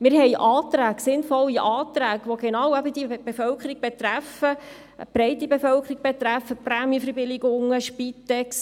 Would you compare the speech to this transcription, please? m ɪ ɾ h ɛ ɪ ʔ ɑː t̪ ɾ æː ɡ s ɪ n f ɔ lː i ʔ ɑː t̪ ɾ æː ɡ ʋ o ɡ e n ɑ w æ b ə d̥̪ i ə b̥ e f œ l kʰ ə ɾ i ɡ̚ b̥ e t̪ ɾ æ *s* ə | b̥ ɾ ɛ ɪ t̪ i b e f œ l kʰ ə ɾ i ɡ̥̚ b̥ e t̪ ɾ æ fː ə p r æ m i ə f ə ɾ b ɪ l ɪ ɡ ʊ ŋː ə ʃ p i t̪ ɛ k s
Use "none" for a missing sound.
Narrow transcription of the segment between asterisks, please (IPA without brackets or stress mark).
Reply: f